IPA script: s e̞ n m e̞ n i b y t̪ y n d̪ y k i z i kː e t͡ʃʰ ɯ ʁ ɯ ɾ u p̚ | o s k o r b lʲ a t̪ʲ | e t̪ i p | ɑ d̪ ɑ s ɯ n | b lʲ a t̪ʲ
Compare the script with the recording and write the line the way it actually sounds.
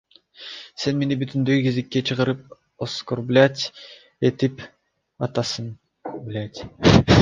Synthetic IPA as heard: s e̞ n m e̞ n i b y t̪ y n d̪ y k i z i kː e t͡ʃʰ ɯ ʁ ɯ ɾ ɯ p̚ | o s k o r b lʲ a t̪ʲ | e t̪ i p | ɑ t̪ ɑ s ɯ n | b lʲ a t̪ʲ